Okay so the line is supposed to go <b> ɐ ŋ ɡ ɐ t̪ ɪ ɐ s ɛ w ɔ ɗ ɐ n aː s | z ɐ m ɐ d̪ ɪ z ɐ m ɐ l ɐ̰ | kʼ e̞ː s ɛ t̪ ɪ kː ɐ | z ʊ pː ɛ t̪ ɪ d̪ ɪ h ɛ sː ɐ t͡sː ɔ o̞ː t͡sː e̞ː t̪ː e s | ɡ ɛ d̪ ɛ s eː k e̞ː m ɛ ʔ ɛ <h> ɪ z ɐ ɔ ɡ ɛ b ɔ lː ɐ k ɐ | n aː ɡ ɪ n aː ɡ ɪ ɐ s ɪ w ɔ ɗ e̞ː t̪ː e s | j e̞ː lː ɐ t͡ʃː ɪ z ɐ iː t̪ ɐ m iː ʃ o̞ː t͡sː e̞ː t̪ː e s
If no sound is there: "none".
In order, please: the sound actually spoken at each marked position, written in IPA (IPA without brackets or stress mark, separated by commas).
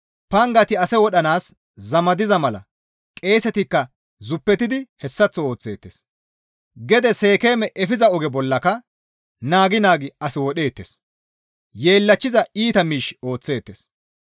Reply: p, f